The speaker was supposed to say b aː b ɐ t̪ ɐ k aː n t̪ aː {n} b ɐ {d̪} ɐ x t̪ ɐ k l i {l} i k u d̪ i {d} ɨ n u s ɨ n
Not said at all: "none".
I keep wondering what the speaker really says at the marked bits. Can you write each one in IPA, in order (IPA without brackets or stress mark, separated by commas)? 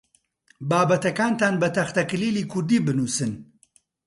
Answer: n, t̪, l, b